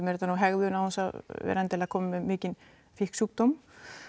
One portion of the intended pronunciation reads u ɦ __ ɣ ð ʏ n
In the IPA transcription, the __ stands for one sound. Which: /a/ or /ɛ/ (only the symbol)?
ɛ